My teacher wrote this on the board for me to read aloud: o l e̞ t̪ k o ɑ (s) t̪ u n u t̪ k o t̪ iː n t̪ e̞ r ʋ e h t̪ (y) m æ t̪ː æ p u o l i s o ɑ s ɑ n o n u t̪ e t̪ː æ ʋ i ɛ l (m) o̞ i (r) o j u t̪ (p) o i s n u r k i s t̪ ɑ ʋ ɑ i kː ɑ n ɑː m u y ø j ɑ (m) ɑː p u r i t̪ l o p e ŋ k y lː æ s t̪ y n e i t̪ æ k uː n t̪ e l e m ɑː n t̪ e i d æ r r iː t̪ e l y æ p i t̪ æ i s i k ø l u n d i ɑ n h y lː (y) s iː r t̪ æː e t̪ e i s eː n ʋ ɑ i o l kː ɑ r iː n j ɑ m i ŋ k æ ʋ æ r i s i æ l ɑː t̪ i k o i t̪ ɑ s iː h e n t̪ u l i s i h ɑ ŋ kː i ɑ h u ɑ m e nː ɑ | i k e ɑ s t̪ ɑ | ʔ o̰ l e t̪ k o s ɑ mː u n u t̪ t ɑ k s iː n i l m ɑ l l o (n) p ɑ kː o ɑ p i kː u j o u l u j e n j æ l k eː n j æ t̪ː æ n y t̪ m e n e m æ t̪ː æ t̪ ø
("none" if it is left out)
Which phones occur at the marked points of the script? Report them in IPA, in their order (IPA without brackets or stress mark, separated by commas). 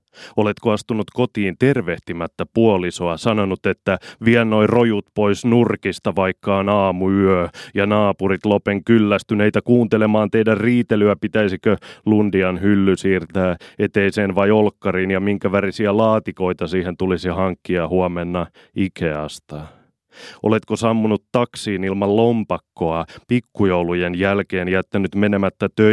s, i, n, r, p, n, y, m